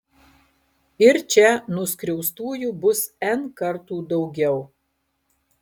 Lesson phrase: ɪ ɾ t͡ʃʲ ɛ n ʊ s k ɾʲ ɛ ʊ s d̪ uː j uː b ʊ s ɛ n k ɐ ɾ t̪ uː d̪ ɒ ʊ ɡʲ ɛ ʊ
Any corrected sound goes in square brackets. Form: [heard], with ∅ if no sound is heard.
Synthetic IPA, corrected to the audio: ɪ ɾ t͡ʃʲ ɛ n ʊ s k ɾʲ ɛ ʊ s [t̪] uː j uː b ʊ s ɛ n k ɐ ɾ t̪ uː d̪ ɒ ʊ ɡʲ ɛ ʊ